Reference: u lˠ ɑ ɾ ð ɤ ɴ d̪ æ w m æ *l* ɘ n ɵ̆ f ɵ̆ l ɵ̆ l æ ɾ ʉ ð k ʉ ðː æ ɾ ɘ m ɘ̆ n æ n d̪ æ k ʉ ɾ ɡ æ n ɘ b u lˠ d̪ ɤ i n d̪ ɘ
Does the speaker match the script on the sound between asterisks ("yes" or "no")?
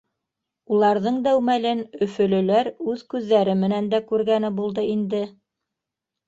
yes